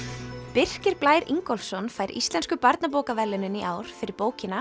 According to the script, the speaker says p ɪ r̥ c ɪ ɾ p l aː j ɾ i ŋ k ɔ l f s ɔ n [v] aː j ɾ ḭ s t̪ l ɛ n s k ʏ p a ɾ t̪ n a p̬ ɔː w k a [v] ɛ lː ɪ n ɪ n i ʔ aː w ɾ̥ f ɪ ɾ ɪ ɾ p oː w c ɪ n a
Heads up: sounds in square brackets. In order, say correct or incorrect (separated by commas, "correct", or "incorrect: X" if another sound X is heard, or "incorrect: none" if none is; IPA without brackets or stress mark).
incorrect: f, correct